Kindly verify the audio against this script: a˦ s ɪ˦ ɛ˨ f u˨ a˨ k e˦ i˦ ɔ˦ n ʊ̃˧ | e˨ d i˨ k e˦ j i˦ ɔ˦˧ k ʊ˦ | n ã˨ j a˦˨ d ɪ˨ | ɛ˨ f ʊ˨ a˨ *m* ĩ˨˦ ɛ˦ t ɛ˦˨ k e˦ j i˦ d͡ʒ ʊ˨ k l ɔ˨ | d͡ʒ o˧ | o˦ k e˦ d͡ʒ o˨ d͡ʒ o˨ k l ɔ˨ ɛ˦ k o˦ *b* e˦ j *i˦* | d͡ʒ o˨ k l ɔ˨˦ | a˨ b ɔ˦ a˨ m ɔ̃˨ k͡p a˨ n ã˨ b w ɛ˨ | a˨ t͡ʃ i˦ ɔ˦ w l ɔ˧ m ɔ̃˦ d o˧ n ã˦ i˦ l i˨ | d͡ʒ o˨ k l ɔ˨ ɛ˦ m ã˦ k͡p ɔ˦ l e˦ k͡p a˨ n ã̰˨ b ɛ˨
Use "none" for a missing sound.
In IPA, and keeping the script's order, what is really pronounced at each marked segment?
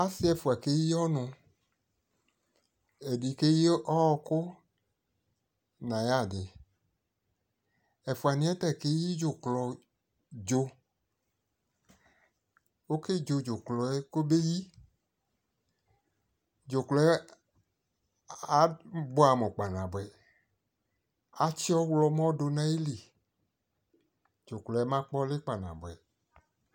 n, b, i˦

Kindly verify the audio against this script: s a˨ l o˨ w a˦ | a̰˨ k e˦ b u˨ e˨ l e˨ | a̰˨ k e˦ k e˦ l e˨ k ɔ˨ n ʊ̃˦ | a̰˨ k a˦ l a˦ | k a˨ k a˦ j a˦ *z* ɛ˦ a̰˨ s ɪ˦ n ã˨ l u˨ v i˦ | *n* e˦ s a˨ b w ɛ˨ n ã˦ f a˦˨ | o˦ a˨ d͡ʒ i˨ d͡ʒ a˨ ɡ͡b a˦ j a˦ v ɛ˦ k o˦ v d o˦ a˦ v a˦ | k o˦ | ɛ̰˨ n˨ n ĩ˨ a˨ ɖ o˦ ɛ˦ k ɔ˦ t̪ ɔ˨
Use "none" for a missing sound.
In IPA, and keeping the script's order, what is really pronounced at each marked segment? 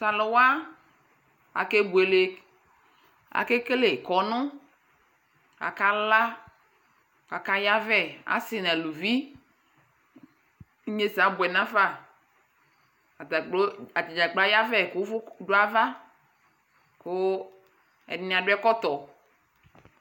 v, ɲ

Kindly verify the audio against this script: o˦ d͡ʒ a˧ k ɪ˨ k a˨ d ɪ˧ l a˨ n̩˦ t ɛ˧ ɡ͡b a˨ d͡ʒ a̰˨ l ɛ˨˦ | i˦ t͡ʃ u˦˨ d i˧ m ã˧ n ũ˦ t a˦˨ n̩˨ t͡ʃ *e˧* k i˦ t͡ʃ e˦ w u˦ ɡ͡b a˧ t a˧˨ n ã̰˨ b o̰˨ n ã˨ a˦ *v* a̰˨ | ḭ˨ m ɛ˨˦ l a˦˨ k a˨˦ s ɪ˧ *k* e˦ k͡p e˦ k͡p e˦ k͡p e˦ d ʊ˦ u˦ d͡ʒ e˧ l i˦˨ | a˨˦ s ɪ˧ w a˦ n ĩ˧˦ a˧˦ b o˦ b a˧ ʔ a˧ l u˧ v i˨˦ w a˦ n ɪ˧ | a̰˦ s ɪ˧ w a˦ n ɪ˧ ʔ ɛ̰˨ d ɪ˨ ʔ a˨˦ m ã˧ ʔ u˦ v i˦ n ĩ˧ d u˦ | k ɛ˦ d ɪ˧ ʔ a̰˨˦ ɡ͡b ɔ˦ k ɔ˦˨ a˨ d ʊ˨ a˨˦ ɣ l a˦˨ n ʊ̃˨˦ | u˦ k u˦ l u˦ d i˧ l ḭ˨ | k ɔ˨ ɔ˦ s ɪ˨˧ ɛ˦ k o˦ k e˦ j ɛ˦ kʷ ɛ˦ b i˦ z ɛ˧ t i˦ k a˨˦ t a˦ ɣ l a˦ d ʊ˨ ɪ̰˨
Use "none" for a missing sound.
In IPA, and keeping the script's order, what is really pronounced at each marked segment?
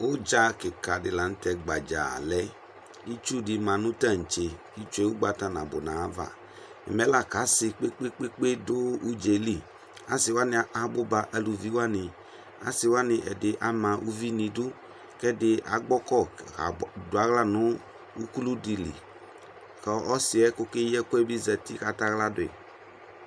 e˧, v, k͡p

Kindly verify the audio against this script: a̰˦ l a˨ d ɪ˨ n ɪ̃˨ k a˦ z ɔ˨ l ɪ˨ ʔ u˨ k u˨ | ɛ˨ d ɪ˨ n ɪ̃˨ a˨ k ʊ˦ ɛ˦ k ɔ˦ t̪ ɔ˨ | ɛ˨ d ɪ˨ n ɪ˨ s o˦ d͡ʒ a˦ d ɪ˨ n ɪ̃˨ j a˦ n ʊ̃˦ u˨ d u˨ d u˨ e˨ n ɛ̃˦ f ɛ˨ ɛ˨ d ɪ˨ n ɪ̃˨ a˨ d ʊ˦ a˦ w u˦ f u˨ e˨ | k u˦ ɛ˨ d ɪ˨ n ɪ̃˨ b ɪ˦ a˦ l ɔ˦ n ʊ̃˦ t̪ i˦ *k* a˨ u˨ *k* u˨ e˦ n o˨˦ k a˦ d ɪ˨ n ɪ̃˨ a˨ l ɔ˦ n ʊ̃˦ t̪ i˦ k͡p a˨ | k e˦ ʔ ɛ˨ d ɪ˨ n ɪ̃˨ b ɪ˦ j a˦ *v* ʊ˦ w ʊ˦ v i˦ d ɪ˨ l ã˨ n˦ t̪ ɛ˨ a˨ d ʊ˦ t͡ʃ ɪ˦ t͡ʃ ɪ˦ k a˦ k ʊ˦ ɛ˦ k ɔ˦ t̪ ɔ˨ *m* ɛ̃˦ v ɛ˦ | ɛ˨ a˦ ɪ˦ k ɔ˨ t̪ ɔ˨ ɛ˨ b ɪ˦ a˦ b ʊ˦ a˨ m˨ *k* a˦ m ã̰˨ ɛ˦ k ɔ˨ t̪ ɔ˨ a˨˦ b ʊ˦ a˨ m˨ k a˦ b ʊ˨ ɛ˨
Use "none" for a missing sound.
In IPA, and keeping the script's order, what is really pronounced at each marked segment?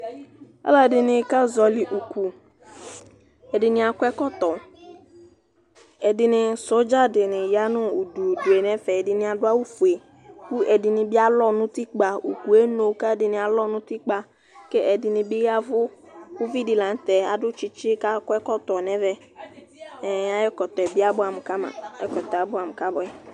k͡p, k, v, n, k

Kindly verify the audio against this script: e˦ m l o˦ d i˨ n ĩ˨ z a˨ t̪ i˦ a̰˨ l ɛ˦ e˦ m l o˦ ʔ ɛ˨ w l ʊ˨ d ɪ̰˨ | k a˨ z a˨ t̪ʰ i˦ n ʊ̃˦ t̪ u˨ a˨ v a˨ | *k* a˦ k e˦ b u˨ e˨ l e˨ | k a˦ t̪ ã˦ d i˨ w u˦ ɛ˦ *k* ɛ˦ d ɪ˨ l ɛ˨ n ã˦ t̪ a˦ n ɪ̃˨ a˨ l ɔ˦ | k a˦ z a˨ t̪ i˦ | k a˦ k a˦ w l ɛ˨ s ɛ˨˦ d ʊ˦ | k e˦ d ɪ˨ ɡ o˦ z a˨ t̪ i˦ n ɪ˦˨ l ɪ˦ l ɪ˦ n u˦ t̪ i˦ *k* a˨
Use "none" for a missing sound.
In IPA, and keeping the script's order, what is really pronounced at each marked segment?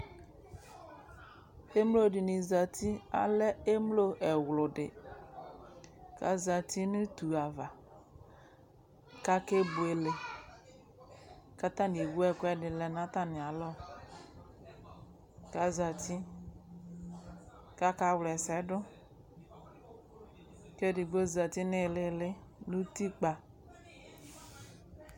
k, k, k͡p

